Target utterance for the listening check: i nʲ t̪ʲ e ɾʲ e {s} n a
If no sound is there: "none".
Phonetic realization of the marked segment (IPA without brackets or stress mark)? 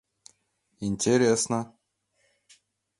s